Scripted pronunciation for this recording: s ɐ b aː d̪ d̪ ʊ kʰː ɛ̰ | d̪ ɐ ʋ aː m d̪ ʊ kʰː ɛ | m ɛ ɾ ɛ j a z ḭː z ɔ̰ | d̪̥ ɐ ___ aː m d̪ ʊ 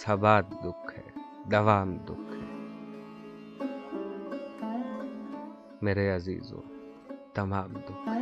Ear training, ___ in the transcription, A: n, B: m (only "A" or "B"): B